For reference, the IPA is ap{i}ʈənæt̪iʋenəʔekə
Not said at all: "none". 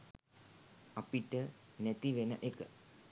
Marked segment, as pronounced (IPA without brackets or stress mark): i